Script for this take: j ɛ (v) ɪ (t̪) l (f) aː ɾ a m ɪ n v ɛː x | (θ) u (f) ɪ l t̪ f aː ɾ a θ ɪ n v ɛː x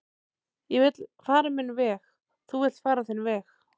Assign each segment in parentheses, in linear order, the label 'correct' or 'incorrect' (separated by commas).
correct, correct, correct, correct, incorrect